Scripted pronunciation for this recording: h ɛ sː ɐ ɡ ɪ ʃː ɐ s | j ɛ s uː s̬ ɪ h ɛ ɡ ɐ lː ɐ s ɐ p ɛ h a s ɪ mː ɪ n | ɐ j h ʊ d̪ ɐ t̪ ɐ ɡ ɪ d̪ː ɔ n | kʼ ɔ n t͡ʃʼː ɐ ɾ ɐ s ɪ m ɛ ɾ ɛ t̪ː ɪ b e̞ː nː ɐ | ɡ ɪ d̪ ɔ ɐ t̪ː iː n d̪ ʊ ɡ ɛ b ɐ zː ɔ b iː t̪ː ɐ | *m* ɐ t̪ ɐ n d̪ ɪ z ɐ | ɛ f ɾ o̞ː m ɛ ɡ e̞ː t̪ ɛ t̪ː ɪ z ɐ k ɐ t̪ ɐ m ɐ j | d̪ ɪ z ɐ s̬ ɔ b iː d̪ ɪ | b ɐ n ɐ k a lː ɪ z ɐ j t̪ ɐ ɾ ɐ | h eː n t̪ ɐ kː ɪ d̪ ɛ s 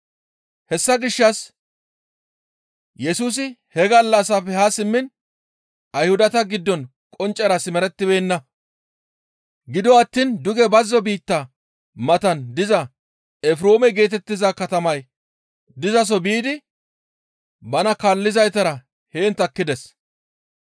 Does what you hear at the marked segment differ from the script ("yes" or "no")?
no